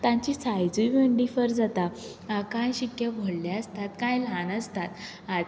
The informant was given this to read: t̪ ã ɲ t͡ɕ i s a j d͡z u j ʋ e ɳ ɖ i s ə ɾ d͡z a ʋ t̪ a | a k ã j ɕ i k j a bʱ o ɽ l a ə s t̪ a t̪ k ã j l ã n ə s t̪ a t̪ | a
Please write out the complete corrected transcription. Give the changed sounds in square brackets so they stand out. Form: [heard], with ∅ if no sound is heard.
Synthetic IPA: t̪ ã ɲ t͡ɕ i s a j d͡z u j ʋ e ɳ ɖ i [f] ə ɾ d͡z a [∅] t̪ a | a k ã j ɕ i k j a bʱ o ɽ l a ə s t̪ a t̪ k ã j l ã n ə s t̪ a t̪ | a